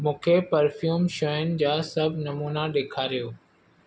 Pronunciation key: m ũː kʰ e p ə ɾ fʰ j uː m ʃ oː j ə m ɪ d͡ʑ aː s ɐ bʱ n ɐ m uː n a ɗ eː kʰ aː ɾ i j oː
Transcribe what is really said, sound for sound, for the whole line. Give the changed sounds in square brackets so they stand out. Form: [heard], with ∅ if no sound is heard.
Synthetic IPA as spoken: m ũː kʰ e p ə ɾ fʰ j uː m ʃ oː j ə [n] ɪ d͡ʑ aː s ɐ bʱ n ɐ m uː n a ɗ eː kʰ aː ɾ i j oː